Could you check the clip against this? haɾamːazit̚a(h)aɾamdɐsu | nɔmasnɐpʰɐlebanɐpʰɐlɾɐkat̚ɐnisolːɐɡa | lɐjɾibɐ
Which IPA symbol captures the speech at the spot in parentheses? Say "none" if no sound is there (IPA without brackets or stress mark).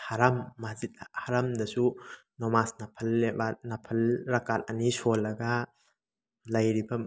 h